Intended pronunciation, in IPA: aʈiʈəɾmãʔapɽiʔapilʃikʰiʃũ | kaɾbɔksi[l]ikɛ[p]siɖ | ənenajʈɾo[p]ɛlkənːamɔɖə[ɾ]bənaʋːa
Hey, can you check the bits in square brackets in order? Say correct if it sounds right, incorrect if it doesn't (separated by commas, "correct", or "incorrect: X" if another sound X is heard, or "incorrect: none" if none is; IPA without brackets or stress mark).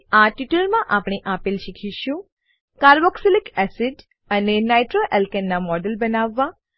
correct, incorrect: none, incorrect: ʔ, incorrect: l